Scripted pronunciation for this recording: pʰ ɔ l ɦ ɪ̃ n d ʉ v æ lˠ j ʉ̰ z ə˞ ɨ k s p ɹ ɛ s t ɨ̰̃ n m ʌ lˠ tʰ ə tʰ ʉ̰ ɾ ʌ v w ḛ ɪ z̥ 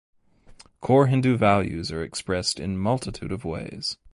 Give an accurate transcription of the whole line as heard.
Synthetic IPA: kʰ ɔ ɹ ɦ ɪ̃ n d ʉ v æ lˠ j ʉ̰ z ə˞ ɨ k s p ɹ ɛ s t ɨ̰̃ n m ʌ lˠ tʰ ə tʰ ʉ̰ ɾ ʌ v w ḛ ɪ z̥